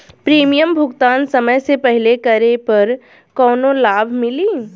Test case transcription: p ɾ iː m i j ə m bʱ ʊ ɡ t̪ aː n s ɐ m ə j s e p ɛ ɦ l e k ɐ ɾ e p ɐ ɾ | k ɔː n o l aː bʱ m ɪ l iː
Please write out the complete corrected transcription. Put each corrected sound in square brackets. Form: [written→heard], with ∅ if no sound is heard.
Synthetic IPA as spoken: p ɾ iː m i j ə m bʱ ʊ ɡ t̪ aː n s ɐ m ə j s e p ɛ ɦ l e k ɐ ɾ e p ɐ ɾ | k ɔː n o l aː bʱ m ɪ l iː